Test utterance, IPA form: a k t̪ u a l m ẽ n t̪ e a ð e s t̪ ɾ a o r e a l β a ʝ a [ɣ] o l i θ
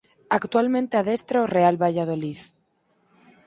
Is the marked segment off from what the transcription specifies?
yes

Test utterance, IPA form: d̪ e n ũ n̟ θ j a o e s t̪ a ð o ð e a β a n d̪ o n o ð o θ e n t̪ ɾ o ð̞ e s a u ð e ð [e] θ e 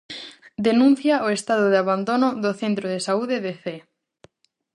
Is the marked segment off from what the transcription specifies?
no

